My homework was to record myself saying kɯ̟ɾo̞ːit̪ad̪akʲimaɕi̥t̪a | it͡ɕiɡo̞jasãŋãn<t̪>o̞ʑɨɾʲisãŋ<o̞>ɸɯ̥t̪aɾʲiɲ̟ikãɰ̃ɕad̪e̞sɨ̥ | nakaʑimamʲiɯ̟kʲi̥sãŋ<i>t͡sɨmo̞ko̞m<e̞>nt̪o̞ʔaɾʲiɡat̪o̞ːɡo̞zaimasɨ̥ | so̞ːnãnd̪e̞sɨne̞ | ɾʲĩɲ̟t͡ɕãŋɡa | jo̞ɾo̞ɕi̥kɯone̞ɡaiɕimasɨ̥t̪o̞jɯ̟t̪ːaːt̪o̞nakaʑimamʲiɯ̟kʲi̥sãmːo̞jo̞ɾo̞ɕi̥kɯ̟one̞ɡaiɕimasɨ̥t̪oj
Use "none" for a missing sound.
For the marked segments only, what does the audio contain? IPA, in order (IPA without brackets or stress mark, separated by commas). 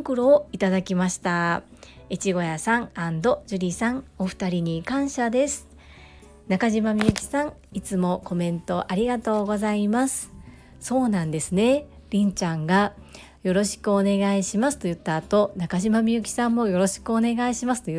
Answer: d̪, o̞, i, ẽ̞